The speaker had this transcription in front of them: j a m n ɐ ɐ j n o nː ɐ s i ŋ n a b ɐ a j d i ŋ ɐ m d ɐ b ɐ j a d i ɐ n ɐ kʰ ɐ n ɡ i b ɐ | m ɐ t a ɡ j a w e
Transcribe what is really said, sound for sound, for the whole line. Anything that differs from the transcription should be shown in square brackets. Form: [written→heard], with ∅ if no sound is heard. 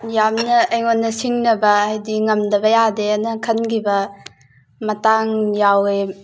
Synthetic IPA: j a m n ɐ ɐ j [n→ŋ] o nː ɐ s i ŋ n [a→ɐ] b ɐ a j d i ŋ ɐ m d ɐ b ɐ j a d [i→e] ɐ n ɐ kʰ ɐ n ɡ i b ɐ | m ɐ t a [ɡ→ŋ] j a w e